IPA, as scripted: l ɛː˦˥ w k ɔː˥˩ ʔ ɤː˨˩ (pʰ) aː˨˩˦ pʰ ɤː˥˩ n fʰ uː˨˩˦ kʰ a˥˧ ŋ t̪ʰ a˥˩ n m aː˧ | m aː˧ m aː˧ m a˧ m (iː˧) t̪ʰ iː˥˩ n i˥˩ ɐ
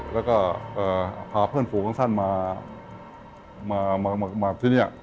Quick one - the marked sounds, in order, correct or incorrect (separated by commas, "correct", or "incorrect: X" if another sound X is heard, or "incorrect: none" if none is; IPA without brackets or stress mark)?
correct, incorrect: aː˧